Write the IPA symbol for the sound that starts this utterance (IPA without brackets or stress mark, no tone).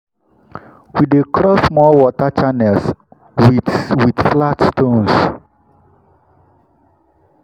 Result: w